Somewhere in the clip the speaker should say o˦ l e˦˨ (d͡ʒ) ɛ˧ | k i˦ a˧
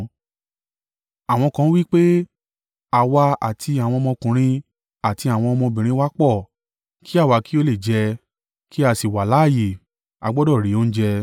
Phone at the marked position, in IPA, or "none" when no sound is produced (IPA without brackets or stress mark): d͡ʒ